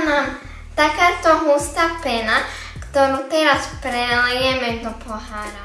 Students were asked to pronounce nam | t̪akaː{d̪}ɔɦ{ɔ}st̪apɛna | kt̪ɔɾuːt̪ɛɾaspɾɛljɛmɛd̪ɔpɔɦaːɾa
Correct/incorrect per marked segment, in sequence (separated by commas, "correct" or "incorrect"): incorrect, incorrect